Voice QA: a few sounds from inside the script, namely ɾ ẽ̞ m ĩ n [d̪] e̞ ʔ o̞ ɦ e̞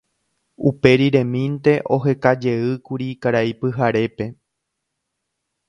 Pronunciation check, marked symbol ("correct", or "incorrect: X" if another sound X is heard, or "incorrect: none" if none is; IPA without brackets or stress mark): incorrect: t̪